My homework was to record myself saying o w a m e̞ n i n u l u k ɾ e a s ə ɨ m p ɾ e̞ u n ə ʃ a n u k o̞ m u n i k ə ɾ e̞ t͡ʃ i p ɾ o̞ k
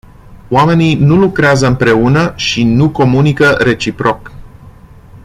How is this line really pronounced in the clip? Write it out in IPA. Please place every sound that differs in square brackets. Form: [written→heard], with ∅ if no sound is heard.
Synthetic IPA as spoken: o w a m e̞ n i n u l u k ɾ e a [s→z] ə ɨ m p ɾ e̞ u n ə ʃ [a→i] n u k o̞ m u n i k ə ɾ e̞ t͡ʃ i p ɾ o̞ k